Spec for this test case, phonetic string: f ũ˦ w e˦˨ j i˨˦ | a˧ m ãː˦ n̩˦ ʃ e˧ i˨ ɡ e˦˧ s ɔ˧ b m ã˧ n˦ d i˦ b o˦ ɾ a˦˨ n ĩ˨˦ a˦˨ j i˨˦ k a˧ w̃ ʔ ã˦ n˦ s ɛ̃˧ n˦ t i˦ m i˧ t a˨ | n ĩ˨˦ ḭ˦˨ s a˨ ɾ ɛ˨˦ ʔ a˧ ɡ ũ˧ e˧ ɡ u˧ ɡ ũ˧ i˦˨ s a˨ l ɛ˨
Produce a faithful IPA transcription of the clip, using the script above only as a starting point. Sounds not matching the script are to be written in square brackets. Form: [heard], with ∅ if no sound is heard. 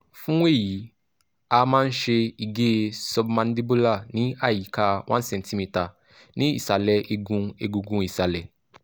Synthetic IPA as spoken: f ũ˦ w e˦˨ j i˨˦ | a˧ m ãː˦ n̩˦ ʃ e˧ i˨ ɡ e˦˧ s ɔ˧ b m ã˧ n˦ d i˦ b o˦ [l] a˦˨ n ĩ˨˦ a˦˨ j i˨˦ k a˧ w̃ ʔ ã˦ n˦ s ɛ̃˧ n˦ t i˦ m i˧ t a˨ | n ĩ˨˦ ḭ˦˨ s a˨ [l] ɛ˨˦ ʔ [e˧] ɡ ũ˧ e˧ ɡ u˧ ɡ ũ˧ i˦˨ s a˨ l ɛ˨